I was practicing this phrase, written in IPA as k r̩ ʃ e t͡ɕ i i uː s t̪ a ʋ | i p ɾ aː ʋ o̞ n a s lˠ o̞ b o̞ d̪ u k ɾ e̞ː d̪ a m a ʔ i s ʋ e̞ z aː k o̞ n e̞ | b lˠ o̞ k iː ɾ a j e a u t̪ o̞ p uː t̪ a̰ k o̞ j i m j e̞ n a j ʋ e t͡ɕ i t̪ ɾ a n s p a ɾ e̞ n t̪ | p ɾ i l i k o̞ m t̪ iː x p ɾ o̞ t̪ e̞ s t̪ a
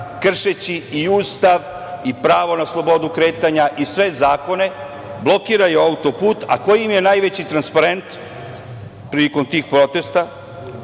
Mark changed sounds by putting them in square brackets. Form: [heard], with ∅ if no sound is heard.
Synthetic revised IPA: k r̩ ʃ e t͡ɕ i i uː s t̪ a ʋ | i p ɾ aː ʋ o̞ n a s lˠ o̞ b o̞ d̪ u k ɾ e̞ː [t̪] a [ɲ] a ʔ i s ʋ e̞ z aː k o̞ n e̞ | b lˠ o̞ k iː ɾ a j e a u t̪ o̞ p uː t̪ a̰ k o̞ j i m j e̞ n a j ʋ e t͡ɕ i t̪ ɾ a n s p a ɾ e̞ n t̪ | p ɾ i l i k o̞ m t̪ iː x p ɾ o̞ t̪ e̞ s t̪ a